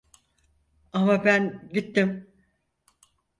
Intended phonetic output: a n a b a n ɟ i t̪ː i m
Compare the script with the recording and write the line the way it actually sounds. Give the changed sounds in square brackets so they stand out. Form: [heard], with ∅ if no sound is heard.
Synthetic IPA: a [m] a b [æ] n ɟ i t̪ː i m

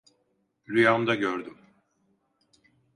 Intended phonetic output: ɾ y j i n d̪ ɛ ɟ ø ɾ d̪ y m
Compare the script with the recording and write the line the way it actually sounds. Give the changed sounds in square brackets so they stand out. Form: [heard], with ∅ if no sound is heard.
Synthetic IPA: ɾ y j [a] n d̪ [a] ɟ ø ɾ d̪ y m

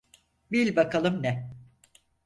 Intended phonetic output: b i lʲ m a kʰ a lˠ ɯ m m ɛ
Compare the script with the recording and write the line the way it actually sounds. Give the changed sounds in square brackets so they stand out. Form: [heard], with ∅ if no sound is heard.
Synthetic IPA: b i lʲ [b] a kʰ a lˠ ɯ m [n] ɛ

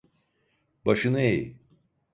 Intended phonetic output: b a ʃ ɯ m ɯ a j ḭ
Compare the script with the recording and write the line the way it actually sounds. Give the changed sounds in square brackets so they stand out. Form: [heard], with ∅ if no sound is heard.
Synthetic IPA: b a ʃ ɯ [n] ɯ [e] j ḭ

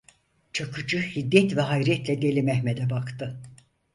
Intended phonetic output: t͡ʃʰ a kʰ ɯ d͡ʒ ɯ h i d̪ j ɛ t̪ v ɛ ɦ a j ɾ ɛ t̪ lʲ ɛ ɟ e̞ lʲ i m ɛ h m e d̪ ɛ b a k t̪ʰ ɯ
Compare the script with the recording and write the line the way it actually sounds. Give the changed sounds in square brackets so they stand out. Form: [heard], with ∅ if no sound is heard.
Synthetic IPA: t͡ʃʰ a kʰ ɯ d͡ʒ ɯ h i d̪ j ɛ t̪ v ɛ ɦ a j ɾ ɛ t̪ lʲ ɛ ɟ e̞ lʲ i m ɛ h m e d̪ ɛ b a k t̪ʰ ɯ

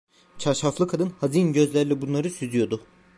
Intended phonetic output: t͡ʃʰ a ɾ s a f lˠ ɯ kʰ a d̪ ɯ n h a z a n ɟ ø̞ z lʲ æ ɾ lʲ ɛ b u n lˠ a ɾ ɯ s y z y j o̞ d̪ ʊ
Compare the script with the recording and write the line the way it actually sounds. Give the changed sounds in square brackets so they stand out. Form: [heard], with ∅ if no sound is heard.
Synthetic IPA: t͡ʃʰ a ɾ [ʃ] a f lˠ ɯ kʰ a d̪ ɯ n h a z [i] n ɟ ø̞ z lʲ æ ɾ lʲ ɛ b u n lˠ a ɾ ɯ s y z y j o̞ d̪ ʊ

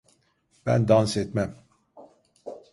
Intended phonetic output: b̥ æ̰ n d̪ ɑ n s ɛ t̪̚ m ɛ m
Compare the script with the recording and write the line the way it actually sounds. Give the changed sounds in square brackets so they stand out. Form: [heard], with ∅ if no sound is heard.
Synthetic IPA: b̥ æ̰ n d̪ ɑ n s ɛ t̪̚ m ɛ m

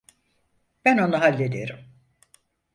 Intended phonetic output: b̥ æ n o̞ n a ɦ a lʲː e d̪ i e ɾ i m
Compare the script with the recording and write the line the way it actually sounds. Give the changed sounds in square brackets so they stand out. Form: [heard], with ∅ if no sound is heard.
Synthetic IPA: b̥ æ n o̞ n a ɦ a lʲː e d̪ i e ɾ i m

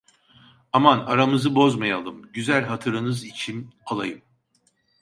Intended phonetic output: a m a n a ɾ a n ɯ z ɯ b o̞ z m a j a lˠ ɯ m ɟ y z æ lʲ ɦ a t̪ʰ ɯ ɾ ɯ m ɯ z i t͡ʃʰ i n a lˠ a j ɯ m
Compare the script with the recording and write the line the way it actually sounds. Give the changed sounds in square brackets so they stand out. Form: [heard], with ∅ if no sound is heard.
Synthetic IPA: a m a n a ɾ a [m] ɯ z ɯ b o̞ z m a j a lˠ ɯ m ɟ y z æ lʲ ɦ a t̪ʰ ɯ ɾ ɯ [n] ɯ z i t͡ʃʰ i n a lˠ a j ɯ m

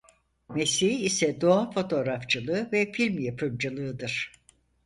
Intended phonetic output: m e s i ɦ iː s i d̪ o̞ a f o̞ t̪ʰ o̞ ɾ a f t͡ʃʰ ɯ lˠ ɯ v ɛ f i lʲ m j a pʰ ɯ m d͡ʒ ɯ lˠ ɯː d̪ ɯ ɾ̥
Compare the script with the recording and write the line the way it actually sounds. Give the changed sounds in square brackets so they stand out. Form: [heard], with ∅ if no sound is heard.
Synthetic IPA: m e s i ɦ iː s [ɛ] d̪ o̞ a f o̞ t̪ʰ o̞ ɾ a f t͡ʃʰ ɯ lˠ ɯ v ɛ f i lʲ m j a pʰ ɯ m d͡ʒ ɯ lˠ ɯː d̪ ɯ ɾ̥

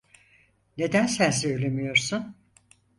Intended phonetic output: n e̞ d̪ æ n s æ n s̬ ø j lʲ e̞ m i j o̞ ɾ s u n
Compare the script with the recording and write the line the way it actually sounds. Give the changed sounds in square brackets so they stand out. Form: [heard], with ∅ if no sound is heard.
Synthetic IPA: n e̞ d̪ æ n s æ n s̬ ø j lʲ e̞ m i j o̞ ɾ s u n

